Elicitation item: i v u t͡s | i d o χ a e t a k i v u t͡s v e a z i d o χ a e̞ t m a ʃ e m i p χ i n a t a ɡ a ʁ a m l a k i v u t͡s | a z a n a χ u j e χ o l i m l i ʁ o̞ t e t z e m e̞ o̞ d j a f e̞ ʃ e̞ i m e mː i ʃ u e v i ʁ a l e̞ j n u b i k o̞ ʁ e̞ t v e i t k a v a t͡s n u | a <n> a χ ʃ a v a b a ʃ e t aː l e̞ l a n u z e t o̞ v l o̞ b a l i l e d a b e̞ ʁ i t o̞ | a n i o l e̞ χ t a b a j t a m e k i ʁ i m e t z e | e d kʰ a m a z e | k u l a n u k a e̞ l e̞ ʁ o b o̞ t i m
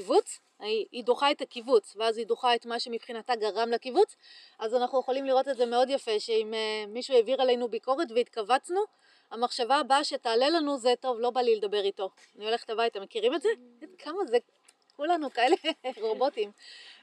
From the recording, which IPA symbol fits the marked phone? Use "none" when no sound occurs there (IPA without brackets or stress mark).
m